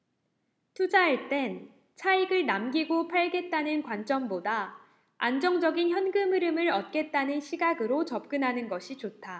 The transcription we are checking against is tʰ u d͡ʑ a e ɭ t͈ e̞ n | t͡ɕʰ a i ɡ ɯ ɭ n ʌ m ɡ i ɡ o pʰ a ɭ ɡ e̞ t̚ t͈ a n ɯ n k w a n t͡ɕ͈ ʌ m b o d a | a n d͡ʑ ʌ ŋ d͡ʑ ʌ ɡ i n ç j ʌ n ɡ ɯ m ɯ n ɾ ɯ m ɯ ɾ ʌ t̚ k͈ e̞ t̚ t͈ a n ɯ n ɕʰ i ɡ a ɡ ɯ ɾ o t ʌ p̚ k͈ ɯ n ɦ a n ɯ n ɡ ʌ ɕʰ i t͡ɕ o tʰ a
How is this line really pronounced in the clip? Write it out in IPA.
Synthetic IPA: tʰ u d͡ʑ a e ɭ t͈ e̞ n | t͡ɕʰ a i ɡ ɯ ɭ n a m ɡ i ɡ o pʰ a ɭ ɡ e̞ t̚ t͈ a n ɯ n k w a n t͡ɕ͈ ʌ m b o d a | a n d͡ʑ ʌ ŋ d͡ʑ ʌ ɡ i n ç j ʌ n ɡ ɯ m ɯ ɾ ɯ m ɯ ɾ ʌ t̚ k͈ e̞ t̚ t͈ a n ɯ n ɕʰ i ɡ a ɡ ɯ ɾ o t͡ɕ ʌ p̚ k͈ ɯ n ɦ a n ɯ n ɡ ʌ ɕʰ i t͡ɕ o tʰ a

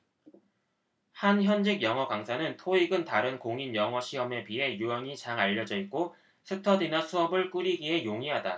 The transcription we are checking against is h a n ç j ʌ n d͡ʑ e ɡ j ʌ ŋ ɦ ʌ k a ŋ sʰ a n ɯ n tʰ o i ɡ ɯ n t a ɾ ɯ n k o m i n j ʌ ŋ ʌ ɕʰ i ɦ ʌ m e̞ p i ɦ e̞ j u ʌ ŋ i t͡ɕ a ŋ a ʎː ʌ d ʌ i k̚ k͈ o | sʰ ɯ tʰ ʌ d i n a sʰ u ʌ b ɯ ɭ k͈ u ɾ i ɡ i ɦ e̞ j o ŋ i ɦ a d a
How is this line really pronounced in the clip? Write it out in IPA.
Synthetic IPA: h a n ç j ʌ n d͡ʑ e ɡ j ʌ ŋ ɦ ʌ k a ŋ sʰ a n ɯ n tʰ o i ɡ ɯ n t a ɾ ɯ n k o ŋ i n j ʌ ŋ ʌ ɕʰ i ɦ ʌ m e̞ p i ɦ e̞ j u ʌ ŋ i t͡ɕ a ŋ a ʎː ʌ d͡ʑ ʌ i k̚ k͈ o | sʰ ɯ tʰ ʌ d i n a sʰ u ʌ b ɯ ɭ k͈ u ɾ i ɡ i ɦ e̞ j o ŋ i ɦ a d a

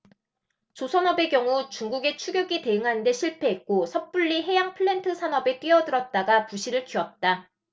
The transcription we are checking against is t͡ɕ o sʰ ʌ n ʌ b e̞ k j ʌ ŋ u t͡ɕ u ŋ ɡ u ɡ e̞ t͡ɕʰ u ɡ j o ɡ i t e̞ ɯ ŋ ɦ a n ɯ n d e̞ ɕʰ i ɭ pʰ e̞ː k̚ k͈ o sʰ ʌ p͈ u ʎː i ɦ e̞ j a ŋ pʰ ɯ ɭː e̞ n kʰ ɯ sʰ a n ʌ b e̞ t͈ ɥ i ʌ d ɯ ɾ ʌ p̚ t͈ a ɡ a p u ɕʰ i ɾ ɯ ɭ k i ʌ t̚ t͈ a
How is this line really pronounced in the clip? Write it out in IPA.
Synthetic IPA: t͡ɕ o sʰ ʌ n ʌ b e̞ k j ʌ ŋ u t͡ɕ u ŋ ɡ u ɡ e̞ t͡ɕʰ u ɡ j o ɡ i t e̞ ɯ ŋ ɦ a n ɯ n d e̞ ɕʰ i ɭ pʰ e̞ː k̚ k͈ o sʰ ʌ p͈ u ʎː i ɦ e̞ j a ŋ pʰ ɯ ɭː e̞ n tʰ ɯ sʰ a n ʌ b e̞ t͈ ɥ i ʌ d ɯ ɾ ʌ t̚ t͈ a ɡ a p u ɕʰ i ɾ ɯ ɭ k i ʌ t̚ t͈ a

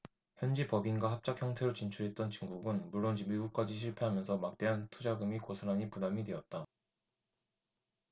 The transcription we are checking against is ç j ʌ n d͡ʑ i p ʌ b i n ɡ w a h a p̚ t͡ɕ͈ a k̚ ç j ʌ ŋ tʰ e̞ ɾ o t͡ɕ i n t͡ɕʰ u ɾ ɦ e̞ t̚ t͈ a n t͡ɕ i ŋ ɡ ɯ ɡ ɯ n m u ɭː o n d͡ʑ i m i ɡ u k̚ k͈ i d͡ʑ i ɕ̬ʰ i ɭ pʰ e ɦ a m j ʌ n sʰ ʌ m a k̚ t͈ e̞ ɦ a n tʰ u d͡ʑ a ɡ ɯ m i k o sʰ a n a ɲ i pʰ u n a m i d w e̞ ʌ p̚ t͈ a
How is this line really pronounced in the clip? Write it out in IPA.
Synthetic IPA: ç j ʌ n d͡ʑ i p ʌ b i n ɡ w a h a p̚ t͡ɕ͈ a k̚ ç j ʌ ŋ tʰ e̞ ɾ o t͡ɕ i n t͡ɕʰ u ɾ ɦ e̞ t̚ t͈ ʌ n t͡ɕ i ŋ ɡ u ɡ ɯ n m u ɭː o n d͡ʑ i m i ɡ u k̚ k͈ a d͡ʑ i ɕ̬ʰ i ɭ pʰ e ɦ a m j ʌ n sʰ ʌ m a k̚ t͈ e̞ ɦ a n tʰ u d͡ʑ a ɡ ɯ m i k o sʰ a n a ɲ i p u n a m i d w e̞ ʌ t̚ t͈ a

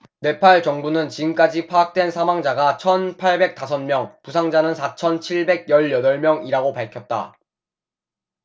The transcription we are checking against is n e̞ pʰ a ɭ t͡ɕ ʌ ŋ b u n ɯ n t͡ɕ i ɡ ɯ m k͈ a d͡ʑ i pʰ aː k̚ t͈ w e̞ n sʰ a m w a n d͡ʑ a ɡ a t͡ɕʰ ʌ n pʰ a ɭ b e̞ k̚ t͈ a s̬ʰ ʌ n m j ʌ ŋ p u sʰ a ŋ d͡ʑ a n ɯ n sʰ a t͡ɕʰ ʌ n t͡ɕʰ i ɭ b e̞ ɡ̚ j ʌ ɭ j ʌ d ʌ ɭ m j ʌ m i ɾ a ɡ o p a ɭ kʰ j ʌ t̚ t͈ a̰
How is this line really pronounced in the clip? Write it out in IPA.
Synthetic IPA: n e̞ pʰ a ɭ t͡ɕ ʌ ŋ b u n ɯ n t͡ɕ i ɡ ɯ m k͈ a d͡ʑ i pʰ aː k̚ t͈ w e̞ n sʰ a m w a ŋ d͡ʑ a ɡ a t͡ɕʰ ʌ n pʰ a ɭ b e̞ k̚ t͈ a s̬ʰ ʌ n m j ʌ ŋ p u sʰ a ŋ d͡ʑ a n ɯ n sʰ a t͡ɕʰ ʌ n t͡ɕʰ i ɭ b e̞ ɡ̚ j ʌ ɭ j ʌ d ʌ ɭ m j ʌ ŋ i ɾ a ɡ o p a ɭ kʰ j ʌ t̚ t͈ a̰

